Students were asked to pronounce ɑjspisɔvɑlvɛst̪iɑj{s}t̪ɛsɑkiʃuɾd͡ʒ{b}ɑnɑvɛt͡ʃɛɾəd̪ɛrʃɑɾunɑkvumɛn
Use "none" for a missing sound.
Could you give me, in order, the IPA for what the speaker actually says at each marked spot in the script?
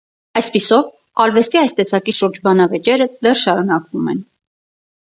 s, b

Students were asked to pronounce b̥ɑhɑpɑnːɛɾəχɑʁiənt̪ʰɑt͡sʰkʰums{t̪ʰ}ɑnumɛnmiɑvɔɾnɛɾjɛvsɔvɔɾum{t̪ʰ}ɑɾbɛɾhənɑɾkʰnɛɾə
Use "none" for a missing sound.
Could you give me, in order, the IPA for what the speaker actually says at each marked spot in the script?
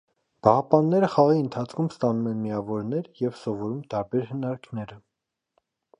t̪, t̪

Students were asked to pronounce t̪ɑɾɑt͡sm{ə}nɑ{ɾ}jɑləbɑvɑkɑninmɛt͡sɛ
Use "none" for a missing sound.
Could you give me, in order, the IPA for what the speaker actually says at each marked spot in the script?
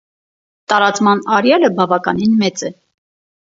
ɑ, ɾ

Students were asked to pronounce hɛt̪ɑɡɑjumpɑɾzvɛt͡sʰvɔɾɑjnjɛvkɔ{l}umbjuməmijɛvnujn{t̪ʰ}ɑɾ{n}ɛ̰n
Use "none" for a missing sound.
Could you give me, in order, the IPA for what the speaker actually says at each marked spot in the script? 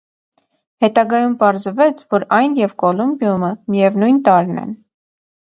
l, t̪, n

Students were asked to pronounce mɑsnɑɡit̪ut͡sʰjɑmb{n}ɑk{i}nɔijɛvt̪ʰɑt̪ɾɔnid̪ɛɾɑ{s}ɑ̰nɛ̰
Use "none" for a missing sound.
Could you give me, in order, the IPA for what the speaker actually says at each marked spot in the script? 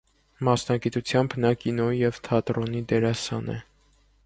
n, i, s

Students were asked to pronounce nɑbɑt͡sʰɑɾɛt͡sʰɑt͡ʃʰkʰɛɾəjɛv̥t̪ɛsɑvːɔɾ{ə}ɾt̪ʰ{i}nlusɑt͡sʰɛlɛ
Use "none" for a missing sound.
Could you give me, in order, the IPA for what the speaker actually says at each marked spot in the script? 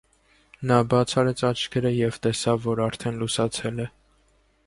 ɑ, ɛ

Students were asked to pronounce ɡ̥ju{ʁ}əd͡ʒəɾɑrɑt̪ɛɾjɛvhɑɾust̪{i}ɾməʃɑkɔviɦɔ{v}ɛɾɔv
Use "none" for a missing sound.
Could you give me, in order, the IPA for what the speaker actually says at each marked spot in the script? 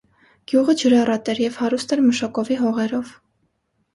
ʁ, ɛ, ʁ

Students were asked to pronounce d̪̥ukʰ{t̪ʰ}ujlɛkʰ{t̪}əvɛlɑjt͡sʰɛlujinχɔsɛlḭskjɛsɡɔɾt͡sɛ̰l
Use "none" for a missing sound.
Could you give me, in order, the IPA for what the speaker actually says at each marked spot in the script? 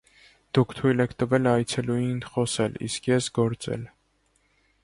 t̪ʰ, t̪

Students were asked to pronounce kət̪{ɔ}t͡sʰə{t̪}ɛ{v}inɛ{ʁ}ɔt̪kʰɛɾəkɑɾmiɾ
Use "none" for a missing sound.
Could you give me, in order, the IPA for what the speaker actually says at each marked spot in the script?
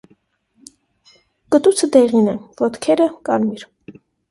u, d̪, ʁ, v

